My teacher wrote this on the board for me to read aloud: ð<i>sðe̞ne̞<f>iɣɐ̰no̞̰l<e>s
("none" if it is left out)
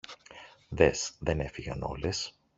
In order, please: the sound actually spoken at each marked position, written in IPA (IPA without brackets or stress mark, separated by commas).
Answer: e, f, e